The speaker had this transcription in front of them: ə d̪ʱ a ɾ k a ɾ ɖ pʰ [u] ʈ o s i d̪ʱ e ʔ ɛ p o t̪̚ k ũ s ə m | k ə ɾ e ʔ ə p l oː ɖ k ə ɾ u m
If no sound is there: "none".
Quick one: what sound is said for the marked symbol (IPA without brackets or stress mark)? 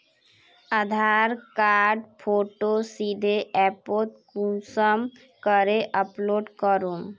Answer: o